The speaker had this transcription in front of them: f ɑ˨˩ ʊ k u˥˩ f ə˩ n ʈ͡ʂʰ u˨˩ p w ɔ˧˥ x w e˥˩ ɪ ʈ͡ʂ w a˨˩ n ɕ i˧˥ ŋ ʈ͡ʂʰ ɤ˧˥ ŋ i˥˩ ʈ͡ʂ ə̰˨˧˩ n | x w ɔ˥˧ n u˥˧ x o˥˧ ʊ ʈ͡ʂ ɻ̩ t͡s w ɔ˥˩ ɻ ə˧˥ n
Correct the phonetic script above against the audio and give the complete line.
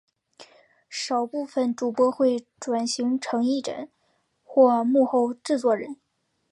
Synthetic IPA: ʂ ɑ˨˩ ʊ p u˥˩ f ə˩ n ʈ͡ʂ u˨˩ p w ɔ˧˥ x w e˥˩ ɪ ʈ͡ʂ w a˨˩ n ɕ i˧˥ ŋ ʈ͡ʂʰ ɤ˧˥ ŋ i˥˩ ʈ͡ʂ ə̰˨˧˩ n | x w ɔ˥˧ m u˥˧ x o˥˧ ʊ ʈ͡ʂ ɻ̩ t͡s w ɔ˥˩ ɻ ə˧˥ n